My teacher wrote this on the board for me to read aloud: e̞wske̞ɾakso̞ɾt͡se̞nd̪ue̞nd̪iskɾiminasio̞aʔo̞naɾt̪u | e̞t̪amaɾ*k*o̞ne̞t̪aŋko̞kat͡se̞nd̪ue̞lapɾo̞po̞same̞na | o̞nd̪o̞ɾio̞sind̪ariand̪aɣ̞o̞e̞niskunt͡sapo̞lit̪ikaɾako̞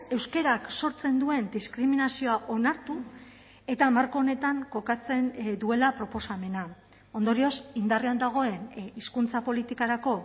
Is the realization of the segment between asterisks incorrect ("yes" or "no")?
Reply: no